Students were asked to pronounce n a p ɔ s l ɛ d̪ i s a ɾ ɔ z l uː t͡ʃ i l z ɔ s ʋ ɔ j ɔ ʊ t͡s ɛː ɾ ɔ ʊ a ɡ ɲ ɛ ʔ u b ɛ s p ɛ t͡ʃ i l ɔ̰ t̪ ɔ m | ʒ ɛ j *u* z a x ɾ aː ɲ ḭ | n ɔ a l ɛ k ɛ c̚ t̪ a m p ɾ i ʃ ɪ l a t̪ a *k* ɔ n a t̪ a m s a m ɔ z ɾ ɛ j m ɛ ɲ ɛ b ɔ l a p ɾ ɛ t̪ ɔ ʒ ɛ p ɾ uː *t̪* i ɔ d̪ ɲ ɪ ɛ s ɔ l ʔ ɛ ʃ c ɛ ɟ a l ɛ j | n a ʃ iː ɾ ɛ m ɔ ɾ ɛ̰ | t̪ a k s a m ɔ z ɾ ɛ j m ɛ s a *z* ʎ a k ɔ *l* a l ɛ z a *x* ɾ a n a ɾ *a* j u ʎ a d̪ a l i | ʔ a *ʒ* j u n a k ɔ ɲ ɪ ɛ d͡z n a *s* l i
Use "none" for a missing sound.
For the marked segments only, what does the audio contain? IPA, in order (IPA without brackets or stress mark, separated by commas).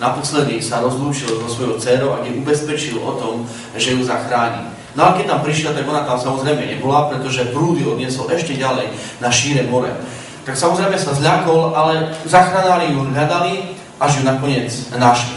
u, ɡ, d̪, z, l, x, i, ʒ, ʃ